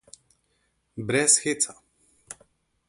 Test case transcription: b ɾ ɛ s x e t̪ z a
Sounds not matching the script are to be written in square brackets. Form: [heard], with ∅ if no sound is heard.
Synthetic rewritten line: b ɾ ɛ s x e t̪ [s] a

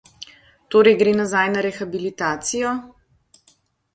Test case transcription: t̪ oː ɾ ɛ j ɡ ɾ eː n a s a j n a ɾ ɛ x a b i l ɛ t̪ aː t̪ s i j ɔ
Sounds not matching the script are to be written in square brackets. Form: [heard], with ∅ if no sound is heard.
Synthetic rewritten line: t̪ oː ɾ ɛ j ɡ ɾ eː n a [z] a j n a ɾ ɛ x a b i l [i] t̪ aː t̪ s i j ɔ

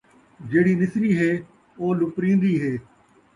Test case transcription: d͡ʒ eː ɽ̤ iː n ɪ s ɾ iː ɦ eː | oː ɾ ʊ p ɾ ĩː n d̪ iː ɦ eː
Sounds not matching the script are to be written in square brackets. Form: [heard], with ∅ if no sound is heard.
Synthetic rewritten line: d͡ʒ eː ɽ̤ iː n ɪ s ɾ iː ɦ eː | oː [l] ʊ p ɾ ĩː n d̪ iː ɦ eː

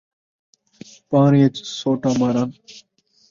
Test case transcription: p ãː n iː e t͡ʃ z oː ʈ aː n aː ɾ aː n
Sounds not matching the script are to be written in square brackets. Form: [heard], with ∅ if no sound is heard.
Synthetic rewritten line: p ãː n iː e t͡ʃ [s] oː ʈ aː [m] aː ɾ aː n

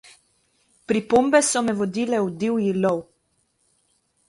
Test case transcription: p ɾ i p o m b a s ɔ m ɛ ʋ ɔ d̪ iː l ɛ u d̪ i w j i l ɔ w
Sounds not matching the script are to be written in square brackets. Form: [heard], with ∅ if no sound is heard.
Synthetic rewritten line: p ɾ i p o m b [ɛ] s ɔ m ɛ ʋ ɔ d̪ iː l ɛ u d̪ i w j i l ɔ w

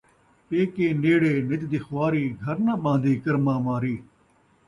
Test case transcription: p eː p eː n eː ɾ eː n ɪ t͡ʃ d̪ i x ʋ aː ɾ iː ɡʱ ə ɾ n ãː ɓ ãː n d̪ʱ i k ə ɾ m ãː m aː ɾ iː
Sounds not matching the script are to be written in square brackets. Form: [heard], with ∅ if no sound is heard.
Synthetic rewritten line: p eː [k] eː n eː [ɽ] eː n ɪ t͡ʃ d̪ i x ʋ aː ɾ iː ɡʱ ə ɾ n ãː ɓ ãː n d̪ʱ [iː] k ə ɾ m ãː m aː ɾ iː

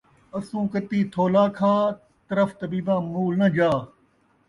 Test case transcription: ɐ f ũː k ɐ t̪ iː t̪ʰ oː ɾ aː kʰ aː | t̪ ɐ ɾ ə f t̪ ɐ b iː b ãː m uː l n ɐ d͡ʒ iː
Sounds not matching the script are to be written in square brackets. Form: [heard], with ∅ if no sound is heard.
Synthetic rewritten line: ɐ [s] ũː k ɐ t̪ iː t̪ʰ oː [l] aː kʰ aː | t̪ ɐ ɾ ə f t̪ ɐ b iː b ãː m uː l n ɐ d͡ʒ [aː]

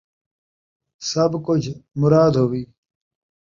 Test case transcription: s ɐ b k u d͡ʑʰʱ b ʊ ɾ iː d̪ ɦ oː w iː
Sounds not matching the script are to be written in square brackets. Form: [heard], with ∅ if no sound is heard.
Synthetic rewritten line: s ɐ b k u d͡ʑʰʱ [m] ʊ ɾ [aː] d̪ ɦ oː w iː

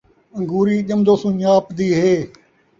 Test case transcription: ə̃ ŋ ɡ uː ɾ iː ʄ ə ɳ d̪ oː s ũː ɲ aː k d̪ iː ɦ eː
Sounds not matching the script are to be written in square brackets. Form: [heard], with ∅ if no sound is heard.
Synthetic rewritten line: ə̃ ŋ ɡ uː ɾ iː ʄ ə [m] d̪ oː s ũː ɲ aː [p] d̪ iː ɦ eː

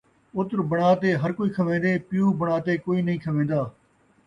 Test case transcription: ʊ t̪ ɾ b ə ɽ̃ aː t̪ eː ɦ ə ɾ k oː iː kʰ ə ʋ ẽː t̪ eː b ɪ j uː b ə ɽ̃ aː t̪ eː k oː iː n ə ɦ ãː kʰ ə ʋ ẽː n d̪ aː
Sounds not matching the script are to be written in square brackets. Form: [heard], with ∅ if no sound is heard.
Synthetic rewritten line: ʊ t̪ ɾ b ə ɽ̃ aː t̪ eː ɦ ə ɾ k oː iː kʰ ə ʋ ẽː [d̪] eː [p] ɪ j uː b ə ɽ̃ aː t̪ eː k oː iː n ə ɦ [ĩː] kʰ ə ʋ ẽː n d̪ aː

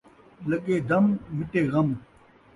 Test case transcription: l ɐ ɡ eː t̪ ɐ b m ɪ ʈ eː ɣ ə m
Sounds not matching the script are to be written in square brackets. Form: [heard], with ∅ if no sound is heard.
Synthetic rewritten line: l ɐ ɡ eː [d̪] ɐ [m] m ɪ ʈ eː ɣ [ɐ] m

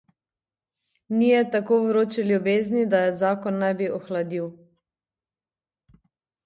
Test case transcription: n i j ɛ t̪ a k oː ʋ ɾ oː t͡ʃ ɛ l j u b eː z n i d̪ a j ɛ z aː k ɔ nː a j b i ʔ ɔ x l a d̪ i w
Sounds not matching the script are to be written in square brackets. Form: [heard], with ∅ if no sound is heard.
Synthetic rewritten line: n i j ɛ t̪ a k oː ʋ ɾ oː t͡ʃ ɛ l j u b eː z n i d̪ a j ɛ z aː k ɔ nː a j b i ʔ ɔ x l a d̪ i w

